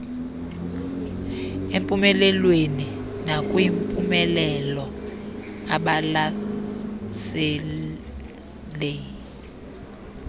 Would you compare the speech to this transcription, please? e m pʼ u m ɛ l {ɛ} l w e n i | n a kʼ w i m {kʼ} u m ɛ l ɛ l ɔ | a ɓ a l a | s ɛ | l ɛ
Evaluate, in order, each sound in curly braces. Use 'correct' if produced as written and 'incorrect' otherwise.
correct, incorrect

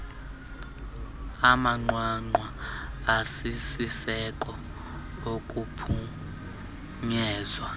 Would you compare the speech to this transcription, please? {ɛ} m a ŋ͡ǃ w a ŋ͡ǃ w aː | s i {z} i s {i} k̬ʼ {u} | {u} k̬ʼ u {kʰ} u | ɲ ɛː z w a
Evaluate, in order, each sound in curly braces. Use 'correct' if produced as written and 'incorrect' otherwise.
incorrect, incorrect, incorrect, incorrect, incorrect, incorrect

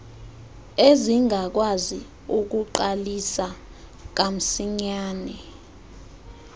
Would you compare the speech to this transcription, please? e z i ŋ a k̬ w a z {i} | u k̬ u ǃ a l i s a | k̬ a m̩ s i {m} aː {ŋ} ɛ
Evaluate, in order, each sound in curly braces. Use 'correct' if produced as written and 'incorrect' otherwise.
correct, incorrect, incorrect

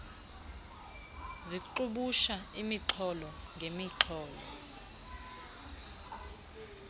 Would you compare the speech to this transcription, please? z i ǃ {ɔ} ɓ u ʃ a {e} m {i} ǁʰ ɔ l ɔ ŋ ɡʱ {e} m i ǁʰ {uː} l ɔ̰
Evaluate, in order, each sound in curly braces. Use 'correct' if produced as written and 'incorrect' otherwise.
incorrect, incorrect, correct, correct, incorrect

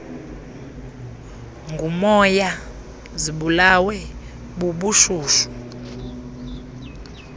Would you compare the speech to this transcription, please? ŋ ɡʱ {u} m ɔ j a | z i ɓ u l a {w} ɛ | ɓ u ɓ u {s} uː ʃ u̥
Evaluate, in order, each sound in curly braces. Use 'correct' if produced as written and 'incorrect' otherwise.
correct, correct, incorrect

